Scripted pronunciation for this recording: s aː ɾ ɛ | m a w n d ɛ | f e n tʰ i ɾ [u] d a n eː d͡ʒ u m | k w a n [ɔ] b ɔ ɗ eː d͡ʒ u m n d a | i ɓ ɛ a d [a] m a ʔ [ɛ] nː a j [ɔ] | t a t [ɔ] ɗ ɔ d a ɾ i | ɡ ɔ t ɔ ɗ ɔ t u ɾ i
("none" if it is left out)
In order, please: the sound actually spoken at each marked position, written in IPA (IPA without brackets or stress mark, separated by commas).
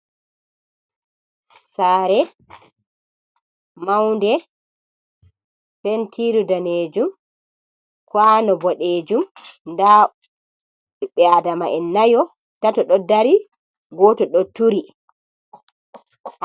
u, ɔ, a, ɛ, ɔ, ɔ